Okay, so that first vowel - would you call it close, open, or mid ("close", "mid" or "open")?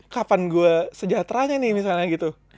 open